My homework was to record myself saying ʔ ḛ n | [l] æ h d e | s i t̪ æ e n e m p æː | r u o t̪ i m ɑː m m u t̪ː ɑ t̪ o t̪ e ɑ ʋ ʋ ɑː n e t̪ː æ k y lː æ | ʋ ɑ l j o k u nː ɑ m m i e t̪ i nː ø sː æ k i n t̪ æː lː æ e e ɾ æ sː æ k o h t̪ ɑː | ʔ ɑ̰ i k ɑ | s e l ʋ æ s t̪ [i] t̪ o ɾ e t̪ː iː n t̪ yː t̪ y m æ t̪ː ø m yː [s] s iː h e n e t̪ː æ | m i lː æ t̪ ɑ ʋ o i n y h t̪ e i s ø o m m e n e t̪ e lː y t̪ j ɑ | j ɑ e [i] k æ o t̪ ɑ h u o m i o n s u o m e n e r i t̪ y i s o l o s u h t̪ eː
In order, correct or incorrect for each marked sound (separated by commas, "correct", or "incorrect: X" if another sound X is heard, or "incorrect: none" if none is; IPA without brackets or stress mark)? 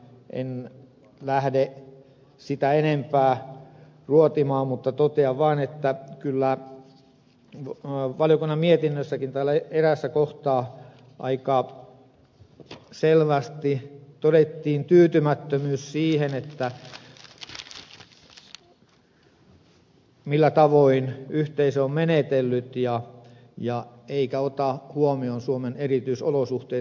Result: correct, correct, correct, correct